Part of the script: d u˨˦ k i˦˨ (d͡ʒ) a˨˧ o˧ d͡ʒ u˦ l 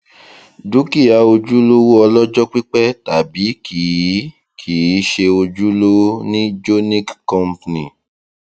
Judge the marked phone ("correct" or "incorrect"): incorrect